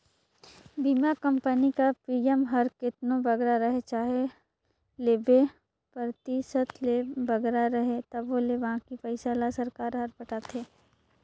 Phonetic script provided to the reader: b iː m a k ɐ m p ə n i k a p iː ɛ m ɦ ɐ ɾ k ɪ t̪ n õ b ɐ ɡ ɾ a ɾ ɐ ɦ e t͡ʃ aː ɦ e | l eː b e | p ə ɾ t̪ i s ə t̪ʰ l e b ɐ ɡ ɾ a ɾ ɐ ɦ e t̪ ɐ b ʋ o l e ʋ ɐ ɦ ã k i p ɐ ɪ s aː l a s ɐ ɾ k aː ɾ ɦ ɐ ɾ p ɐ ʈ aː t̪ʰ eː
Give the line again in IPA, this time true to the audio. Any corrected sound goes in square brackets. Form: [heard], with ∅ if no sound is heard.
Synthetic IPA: b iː m a k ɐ m p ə n i k a p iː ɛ m ɦ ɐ ɾ k ɪ t̪ n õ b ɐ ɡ ɾ a ɾ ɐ ɦ e t͡ʃ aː ɦ e | l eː b e | p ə ɾ t̪ i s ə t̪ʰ l e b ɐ ɡ ɾ a ɾ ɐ ɦ e t̪ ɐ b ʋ o l e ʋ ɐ ɦ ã k i p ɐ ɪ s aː l a s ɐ ɾ k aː ɾ ɦ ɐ ɾ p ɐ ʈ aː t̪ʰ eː